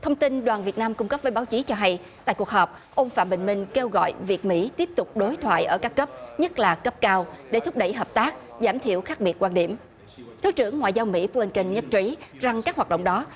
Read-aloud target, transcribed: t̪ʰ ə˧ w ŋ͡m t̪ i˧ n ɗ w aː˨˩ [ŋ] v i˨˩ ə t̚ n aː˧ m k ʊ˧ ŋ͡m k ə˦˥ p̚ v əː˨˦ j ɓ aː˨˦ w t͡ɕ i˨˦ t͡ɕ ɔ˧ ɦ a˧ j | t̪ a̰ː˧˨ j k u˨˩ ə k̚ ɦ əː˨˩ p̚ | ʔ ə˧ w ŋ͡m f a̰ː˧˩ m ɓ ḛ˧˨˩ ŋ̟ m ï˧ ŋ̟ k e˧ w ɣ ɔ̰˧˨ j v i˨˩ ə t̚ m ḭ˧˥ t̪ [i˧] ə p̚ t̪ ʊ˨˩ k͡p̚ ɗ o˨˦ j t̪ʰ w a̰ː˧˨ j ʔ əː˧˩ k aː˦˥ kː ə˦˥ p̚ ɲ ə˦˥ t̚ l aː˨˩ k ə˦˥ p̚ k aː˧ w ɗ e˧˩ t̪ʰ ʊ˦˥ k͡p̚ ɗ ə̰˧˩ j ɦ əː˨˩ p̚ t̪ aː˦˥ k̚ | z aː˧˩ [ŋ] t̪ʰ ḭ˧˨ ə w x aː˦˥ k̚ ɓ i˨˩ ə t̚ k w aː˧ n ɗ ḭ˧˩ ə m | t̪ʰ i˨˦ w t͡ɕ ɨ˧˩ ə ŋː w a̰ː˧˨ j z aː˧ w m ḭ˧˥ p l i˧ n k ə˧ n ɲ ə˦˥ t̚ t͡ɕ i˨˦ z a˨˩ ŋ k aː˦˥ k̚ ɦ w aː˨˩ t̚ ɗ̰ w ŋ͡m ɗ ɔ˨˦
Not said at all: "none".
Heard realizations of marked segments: n, i˦˥, m

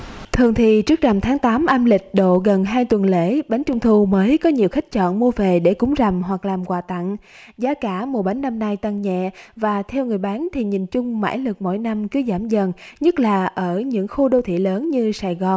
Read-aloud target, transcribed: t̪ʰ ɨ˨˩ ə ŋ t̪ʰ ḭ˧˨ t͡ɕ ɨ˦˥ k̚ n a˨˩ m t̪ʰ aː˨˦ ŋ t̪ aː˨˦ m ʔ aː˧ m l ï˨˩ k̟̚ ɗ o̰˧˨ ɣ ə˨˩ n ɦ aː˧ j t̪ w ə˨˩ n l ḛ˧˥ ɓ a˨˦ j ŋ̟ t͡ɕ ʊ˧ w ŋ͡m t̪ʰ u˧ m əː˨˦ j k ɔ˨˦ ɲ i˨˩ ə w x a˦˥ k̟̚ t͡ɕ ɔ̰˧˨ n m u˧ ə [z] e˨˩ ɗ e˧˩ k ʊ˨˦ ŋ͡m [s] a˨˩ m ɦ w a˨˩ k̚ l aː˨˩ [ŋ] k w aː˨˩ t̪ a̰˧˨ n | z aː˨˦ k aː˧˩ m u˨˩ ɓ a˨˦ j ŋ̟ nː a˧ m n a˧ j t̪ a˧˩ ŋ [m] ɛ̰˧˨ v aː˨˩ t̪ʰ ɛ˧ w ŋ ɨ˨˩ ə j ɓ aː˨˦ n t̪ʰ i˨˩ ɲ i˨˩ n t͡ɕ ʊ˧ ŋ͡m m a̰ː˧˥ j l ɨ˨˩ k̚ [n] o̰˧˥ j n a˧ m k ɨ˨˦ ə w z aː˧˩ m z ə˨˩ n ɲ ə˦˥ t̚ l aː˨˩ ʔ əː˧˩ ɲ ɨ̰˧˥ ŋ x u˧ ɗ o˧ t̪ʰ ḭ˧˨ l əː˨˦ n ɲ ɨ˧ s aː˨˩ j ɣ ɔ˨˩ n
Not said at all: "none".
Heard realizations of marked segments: v, z, m, ɲ, m

